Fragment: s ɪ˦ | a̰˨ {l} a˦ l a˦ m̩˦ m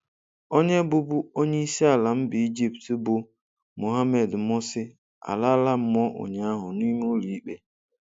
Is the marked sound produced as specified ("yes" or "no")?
yes